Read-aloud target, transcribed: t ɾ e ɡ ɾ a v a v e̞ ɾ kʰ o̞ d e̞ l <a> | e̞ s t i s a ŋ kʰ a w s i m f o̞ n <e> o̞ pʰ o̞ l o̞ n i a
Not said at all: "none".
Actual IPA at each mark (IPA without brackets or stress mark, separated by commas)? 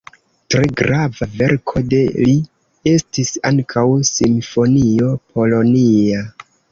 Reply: i, i